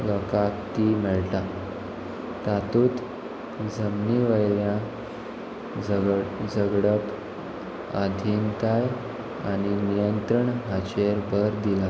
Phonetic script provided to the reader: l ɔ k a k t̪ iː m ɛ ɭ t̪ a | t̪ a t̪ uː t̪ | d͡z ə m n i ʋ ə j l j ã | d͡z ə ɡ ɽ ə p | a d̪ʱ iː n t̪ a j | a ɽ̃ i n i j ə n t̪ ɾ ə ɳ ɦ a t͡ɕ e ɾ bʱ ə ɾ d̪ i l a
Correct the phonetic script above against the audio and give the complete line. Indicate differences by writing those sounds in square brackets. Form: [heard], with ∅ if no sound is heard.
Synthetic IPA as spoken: l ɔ k a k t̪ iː m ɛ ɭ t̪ a | t̪ a t̪ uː t̪ | d͡z ə m n i ʋ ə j l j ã | d͡z ə ɡ ɽ ə p | a d̪ʱ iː n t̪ a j | a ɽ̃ i n i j ə n t̪ ɾ ə ɳ ɦ a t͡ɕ e ɾ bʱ ə ɾ d̪ i l a